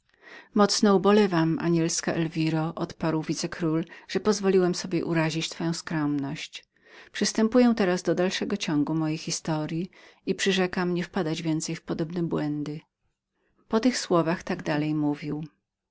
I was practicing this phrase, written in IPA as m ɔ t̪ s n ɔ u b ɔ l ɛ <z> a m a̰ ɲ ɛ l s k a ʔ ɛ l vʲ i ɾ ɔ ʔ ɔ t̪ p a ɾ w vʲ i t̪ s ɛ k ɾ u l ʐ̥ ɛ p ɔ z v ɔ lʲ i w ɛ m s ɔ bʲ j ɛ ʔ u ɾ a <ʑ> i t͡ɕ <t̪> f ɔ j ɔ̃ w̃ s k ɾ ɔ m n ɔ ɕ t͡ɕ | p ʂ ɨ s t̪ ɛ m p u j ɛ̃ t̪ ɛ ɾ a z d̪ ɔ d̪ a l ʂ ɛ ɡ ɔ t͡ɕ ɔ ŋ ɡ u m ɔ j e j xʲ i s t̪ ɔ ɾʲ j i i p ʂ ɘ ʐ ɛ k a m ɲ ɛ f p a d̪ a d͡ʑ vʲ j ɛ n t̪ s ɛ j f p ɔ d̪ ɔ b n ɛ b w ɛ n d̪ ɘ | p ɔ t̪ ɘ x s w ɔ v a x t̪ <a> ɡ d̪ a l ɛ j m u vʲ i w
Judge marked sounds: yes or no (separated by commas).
no, yes, yes, yes